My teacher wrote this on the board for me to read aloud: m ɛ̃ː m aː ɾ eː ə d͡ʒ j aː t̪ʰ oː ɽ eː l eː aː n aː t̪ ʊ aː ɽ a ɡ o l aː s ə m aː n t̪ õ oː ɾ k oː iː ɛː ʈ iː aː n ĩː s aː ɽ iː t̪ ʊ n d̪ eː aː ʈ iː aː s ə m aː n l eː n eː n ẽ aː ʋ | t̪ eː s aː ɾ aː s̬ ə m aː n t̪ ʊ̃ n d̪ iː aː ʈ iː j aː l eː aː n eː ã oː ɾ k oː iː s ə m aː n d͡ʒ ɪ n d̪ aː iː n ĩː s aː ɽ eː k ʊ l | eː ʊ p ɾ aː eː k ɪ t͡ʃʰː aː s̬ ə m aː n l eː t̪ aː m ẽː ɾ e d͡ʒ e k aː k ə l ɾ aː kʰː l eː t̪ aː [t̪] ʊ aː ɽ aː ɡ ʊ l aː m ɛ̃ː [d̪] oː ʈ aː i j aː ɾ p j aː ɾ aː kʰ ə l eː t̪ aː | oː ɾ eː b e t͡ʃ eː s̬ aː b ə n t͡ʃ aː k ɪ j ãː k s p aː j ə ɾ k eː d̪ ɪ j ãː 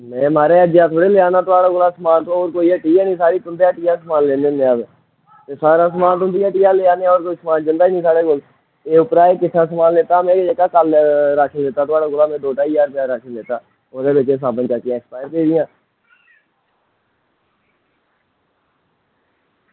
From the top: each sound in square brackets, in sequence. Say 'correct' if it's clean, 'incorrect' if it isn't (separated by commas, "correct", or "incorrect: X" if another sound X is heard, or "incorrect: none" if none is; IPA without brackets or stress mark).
correct, correct